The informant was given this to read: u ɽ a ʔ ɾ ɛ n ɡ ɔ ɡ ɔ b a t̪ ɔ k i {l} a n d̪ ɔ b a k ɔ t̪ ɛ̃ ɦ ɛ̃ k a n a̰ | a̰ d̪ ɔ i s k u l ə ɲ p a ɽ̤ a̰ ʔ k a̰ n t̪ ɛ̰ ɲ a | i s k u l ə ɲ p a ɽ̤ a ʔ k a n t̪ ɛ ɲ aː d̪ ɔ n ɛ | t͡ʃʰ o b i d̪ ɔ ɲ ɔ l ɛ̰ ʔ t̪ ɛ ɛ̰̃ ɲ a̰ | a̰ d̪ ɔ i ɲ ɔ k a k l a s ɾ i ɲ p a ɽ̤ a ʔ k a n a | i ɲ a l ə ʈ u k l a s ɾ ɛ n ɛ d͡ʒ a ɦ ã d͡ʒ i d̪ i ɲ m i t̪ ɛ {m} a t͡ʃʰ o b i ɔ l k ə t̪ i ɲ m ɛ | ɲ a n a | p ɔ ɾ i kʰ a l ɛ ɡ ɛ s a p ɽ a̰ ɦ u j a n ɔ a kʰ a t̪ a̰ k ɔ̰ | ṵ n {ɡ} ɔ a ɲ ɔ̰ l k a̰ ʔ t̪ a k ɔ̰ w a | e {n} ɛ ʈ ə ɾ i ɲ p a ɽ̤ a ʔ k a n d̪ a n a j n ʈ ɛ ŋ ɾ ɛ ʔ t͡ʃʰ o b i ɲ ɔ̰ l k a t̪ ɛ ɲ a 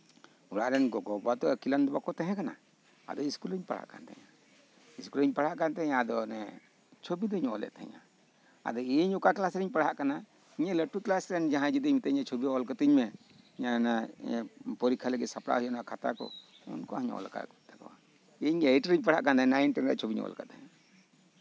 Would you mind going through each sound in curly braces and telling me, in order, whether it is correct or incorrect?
correct, incorrect: ɲ, incorrect: k, incorrect: ɲ

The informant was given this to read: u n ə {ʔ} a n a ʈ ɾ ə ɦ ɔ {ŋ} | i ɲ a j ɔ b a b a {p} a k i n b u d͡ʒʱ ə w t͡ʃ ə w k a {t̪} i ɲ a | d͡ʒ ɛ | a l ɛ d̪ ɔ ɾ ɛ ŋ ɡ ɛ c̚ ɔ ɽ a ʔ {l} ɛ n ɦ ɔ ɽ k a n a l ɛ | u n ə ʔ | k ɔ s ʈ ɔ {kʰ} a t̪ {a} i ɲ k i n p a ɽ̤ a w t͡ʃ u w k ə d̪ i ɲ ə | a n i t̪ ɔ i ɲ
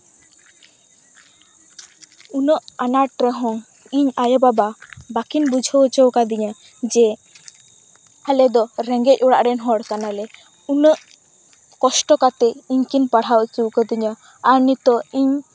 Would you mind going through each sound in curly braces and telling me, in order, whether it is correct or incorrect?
correct, correct, incorrect: b, incorrect: d̪, incorrect: ɾ, incorrect: k, incorrect: ɛ

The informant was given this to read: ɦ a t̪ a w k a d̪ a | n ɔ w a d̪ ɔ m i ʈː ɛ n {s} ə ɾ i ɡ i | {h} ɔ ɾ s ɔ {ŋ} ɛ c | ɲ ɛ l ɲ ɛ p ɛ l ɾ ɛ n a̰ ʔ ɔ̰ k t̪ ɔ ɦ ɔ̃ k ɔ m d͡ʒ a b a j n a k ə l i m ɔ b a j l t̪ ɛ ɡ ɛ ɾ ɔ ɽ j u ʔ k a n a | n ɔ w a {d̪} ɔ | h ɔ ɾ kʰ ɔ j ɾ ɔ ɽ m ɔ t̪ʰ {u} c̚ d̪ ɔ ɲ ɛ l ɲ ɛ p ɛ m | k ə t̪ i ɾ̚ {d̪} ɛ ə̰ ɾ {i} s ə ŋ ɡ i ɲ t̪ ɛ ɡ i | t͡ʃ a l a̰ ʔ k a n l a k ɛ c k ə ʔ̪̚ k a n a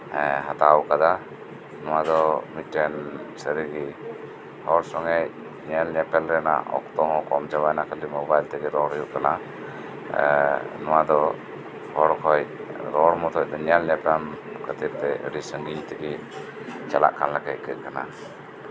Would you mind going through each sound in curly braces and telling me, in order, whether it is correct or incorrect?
correct, correct, correct, correct, incorrect: ɔ, incorrect: t̪, correct

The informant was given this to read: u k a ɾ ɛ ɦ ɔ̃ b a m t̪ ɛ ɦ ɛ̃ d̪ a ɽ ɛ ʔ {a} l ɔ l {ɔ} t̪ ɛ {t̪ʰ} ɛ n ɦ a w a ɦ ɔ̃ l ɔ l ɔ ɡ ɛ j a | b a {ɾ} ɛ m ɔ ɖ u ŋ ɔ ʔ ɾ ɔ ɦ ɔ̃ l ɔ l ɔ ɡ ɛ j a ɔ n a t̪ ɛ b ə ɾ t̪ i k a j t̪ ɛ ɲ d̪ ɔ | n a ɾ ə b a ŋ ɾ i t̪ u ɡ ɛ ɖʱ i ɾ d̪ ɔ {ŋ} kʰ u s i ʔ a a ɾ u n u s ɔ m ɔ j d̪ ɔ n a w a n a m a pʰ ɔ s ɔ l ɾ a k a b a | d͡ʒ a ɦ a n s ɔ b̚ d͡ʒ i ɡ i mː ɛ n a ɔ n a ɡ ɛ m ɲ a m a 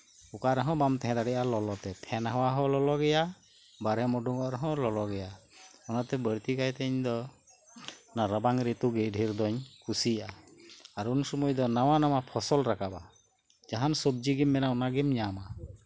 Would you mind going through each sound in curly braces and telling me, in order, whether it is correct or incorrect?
correct, correct, correct, correct, incorrect: ɲ

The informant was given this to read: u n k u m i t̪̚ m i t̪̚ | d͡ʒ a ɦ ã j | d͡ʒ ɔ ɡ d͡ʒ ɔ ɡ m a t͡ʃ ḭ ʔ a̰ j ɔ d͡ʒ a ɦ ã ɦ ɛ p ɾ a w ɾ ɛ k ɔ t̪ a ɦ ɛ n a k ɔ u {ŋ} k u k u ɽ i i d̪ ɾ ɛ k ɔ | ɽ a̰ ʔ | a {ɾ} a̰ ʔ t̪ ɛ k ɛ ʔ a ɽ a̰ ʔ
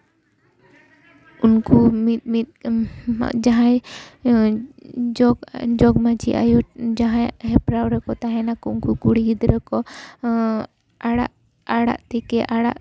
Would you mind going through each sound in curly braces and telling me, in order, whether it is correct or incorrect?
incorrect: n, incorrect: ɽ

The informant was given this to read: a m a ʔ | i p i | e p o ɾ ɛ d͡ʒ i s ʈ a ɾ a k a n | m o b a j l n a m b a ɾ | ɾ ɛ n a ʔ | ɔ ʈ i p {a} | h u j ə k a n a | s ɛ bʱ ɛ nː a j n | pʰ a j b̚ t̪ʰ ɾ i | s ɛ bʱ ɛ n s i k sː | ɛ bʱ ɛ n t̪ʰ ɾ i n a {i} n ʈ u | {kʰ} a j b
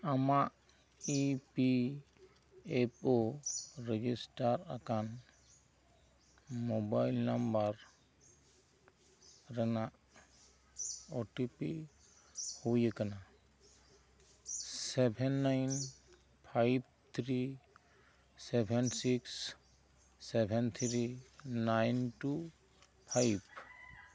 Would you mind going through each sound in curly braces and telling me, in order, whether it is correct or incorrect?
incorrect: i, incorrect: j, incorrect: pʰ

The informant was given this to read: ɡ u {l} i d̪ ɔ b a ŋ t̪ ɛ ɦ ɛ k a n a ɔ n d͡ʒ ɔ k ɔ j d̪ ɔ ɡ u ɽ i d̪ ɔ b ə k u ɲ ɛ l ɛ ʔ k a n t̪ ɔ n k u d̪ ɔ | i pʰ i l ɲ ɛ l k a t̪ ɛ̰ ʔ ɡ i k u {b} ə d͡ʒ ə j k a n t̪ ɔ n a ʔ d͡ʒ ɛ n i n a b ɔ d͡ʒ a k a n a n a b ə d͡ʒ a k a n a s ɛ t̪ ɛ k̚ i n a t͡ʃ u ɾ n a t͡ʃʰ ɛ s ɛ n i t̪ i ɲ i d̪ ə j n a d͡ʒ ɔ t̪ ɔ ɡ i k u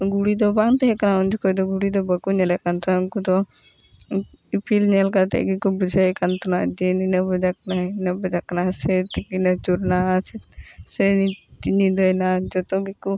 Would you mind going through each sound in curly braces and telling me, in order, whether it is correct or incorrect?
incorrect: ɽ, correct

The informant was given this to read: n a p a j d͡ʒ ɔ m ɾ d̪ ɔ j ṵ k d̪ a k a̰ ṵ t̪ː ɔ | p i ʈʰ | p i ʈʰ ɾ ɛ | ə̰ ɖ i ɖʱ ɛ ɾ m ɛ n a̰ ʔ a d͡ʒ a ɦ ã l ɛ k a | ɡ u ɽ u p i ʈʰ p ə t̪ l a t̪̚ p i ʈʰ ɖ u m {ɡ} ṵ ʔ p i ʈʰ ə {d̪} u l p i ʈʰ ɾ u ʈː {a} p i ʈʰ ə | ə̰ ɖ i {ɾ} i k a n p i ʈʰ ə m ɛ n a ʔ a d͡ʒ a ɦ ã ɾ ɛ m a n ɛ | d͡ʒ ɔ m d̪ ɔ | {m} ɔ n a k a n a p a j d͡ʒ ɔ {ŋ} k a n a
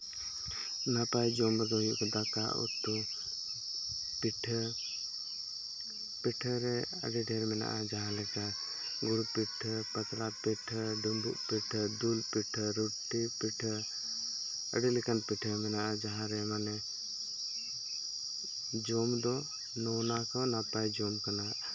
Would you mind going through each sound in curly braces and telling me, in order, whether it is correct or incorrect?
incorrect: b, correct, incorrect: i, incorrect: l, incorrect: n, incorrect: m

